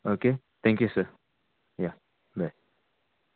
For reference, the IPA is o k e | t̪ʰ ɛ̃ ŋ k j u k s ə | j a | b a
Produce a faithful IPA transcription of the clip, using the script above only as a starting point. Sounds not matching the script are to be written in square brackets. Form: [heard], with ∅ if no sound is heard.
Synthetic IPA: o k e | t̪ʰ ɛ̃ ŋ k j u [∅] s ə | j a | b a